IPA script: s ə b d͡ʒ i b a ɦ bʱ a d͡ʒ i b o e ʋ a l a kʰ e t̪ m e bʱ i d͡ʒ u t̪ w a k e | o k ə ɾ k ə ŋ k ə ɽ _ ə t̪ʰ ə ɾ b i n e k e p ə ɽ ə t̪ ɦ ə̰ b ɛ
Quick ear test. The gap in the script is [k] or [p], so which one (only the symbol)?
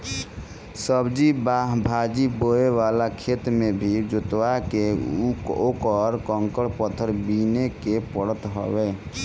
p